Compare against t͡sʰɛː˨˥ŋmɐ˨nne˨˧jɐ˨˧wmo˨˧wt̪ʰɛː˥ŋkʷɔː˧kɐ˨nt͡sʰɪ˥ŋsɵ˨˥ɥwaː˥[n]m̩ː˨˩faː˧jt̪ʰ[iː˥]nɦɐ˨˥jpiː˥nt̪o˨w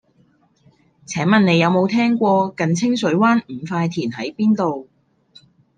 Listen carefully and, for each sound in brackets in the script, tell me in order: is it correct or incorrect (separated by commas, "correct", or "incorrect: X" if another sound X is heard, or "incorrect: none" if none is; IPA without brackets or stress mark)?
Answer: correct, incorrect: iː˨˩